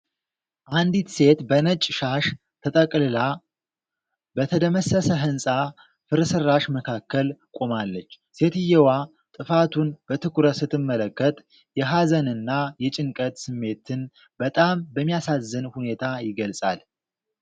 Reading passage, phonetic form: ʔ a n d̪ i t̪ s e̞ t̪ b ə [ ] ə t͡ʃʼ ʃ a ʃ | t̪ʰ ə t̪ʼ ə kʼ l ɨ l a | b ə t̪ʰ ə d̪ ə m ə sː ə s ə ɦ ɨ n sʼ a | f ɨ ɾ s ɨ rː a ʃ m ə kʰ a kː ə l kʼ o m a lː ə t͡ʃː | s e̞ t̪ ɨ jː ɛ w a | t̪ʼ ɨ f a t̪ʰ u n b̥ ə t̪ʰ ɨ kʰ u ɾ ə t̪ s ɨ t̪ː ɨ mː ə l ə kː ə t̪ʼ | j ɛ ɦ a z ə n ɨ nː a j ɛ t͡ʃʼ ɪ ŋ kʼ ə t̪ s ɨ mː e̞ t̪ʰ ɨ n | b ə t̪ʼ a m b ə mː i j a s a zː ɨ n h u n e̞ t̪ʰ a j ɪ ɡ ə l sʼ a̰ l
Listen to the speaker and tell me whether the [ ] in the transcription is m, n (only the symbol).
n